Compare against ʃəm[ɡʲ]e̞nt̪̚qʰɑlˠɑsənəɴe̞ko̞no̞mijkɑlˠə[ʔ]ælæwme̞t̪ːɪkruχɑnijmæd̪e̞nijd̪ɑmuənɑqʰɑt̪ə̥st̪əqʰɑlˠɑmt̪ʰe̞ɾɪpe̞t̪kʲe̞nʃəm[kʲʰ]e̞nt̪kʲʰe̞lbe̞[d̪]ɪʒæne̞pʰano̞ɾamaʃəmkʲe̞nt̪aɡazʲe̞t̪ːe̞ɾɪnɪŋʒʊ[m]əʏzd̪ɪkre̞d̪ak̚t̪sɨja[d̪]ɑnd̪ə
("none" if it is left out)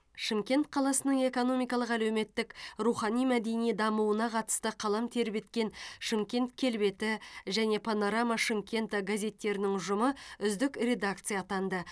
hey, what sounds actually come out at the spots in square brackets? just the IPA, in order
kʲ, q, kʲ, t̪, m, t̪

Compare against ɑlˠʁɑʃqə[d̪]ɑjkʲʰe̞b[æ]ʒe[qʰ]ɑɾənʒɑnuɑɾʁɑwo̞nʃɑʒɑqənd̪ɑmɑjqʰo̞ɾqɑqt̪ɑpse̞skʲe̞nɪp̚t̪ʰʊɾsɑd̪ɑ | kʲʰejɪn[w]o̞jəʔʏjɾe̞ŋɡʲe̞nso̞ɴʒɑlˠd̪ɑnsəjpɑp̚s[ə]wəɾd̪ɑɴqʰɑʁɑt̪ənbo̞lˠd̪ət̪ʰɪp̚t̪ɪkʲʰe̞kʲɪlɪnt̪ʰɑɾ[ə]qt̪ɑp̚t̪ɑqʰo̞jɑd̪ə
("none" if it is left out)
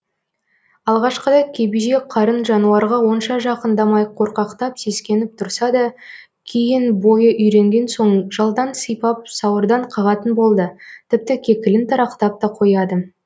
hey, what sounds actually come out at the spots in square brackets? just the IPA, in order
d̪, i, qʰ, b, ɑ, ɑ

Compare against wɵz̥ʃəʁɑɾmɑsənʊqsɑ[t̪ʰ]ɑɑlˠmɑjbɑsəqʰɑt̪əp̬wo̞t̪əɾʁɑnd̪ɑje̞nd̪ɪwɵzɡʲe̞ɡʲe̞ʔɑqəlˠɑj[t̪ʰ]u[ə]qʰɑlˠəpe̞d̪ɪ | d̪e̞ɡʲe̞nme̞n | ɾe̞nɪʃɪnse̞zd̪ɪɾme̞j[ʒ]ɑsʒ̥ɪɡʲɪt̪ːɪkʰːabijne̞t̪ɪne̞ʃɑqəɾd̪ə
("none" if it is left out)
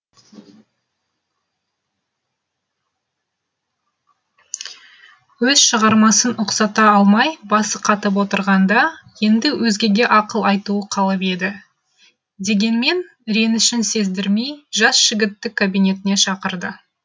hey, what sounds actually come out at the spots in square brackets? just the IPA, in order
t̪, t̪, ə, ʒ

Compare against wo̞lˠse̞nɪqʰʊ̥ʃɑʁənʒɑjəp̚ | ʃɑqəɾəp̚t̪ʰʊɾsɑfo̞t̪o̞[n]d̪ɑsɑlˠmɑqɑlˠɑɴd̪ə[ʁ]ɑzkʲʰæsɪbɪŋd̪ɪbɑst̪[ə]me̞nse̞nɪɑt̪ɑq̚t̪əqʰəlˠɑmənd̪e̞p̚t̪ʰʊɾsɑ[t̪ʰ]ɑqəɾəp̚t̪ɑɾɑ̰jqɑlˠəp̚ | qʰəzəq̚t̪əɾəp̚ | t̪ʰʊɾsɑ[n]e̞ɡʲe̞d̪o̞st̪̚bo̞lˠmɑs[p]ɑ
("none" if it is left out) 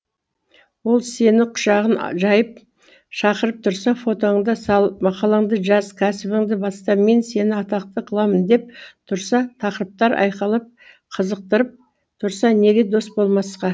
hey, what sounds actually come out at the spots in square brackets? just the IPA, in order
ɴ, ʒ, ɑ, t̪ʰ, n, q

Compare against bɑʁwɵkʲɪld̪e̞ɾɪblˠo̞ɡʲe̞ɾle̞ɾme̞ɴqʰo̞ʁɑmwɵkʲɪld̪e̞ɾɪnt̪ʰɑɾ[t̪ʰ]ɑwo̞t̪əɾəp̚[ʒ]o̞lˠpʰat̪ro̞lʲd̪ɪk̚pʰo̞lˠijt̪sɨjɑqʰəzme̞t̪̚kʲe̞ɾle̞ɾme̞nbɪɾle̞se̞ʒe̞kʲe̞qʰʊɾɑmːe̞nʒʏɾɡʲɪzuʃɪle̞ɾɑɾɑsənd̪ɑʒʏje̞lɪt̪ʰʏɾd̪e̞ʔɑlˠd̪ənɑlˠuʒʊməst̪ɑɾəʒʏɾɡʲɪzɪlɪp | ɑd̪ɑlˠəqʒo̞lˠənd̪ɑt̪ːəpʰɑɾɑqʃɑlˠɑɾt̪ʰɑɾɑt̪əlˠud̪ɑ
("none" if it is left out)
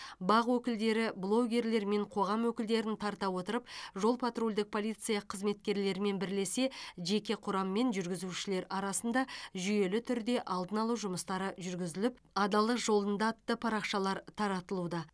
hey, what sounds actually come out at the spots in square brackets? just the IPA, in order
t̪, ʒ

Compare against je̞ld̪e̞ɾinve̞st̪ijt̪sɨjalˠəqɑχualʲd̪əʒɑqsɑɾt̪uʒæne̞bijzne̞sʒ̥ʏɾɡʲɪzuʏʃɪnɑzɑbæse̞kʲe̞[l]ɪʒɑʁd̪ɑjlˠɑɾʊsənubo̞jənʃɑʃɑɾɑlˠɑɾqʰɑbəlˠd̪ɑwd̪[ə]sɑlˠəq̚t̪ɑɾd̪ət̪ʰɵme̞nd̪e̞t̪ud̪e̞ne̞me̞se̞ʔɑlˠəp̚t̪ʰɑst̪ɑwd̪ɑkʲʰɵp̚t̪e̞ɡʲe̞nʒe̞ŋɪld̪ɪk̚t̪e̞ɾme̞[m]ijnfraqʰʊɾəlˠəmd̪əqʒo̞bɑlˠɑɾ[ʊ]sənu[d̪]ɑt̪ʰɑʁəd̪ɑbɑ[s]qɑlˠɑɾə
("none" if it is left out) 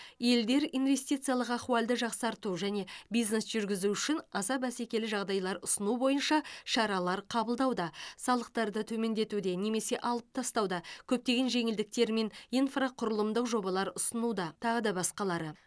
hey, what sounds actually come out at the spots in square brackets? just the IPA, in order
l, ɑ, n, ʊ, d̪, s

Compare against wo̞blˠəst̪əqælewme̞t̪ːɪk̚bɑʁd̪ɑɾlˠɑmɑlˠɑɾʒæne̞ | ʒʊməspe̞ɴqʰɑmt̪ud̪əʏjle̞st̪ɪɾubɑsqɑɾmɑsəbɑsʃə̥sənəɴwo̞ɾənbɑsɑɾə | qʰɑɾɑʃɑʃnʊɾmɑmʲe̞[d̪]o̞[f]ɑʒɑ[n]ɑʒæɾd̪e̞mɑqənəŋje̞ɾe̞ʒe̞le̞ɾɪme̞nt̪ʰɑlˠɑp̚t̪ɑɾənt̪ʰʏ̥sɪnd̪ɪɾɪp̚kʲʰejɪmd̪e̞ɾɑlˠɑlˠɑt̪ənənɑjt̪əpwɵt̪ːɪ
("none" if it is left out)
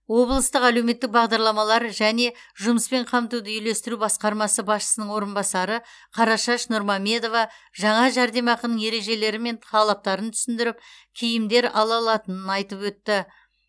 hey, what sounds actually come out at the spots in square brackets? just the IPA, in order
d̪, v, ɴ

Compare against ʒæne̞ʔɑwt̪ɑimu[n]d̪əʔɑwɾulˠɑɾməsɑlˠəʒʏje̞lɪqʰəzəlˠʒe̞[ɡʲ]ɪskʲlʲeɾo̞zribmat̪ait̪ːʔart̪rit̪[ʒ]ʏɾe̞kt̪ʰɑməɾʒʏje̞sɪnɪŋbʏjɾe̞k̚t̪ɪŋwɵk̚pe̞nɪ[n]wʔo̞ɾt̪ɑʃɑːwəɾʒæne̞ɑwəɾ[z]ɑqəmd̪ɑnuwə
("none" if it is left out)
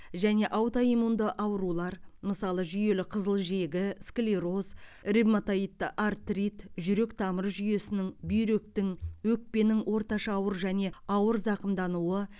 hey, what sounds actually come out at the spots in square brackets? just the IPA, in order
n, ɡʲ, ʒ, ŋ, z

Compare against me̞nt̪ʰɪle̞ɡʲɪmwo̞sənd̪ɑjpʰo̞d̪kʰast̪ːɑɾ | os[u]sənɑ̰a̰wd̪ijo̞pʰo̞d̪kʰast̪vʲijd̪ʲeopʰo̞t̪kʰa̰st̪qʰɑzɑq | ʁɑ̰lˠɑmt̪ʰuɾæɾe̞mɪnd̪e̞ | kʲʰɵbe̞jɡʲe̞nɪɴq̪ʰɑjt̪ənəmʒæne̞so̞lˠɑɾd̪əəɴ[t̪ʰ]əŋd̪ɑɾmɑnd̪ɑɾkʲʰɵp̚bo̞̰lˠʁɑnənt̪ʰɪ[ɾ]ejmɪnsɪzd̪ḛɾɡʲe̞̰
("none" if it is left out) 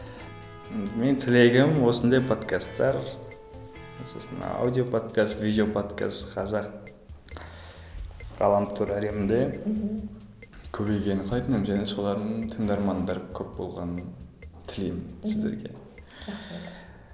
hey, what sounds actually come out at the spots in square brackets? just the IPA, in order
o, t̪ʰ, l

